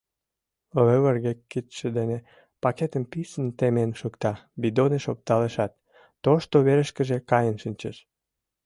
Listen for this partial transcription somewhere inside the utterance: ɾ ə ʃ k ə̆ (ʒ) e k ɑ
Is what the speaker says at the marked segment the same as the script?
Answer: yes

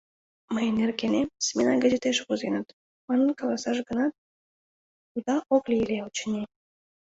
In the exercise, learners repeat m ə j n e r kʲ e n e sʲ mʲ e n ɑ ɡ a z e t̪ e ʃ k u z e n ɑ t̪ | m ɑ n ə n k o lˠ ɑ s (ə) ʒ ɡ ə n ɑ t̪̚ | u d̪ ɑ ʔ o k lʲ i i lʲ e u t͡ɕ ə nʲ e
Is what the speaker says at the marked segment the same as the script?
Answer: no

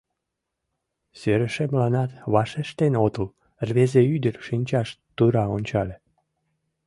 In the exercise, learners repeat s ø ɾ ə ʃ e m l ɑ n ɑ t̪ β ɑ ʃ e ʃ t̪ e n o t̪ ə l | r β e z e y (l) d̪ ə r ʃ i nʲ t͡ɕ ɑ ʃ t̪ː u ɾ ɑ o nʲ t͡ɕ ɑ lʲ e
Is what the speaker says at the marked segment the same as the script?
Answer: no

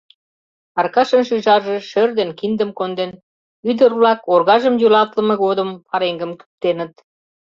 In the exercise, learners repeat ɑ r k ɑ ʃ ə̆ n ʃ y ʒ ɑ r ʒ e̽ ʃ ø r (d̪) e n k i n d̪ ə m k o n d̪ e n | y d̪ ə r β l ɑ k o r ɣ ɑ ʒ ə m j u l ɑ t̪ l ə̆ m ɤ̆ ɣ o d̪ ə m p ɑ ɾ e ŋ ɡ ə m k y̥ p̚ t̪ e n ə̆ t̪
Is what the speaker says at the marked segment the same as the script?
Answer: yes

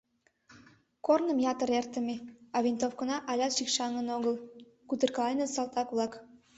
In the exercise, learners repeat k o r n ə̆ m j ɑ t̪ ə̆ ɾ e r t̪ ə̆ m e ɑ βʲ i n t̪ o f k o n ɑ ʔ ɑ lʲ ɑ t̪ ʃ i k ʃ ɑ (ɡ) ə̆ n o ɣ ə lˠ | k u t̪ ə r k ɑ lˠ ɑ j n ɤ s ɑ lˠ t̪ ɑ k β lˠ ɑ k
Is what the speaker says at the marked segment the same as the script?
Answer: no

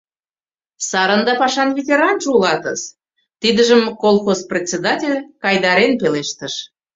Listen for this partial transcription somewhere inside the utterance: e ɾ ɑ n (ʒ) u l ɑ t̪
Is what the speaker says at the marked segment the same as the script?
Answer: yes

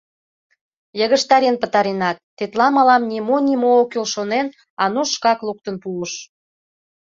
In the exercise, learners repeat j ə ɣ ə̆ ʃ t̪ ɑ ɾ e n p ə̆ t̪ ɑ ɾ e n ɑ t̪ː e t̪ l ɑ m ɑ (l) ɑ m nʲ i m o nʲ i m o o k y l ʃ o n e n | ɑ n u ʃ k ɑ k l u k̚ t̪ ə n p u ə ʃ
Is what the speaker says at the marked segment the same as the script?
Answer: yes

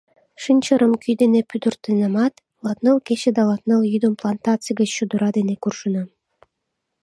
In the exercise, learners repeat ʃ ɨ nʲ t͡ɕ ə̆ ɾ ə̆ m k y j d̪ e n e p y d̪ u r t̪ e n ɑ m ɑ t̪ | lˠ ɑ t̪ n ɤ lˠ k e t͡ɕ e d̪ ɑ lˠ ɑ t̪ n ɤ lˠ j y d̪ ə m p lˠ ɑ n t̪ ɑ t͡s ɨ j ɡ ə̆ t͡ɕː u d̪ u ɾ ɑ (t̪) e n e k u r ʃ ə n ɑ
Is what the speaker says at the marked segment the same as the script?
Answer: no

